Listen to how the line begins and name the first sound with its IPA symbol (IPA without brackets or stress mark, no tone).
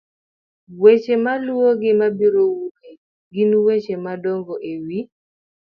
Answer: w